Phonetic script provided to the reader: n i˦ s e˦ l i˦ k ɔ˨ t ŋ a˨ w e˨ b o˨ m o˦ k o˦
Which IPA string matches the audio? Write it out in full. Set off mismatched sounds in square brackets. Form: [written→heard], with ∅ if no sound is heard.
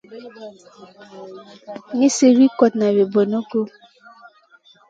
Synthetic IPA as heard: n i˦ s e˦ [l→ɾ] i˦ k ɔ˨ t [ŋ→n] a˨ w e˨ b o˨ [m→n] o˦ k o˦